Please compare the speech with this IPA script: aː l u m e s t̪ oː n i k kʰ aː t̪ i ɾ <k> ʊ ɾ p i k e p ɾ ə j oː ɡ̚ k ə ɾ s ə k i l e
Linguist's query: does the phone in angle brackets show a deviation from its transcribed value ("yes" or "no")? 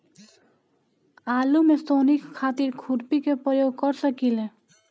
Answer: yes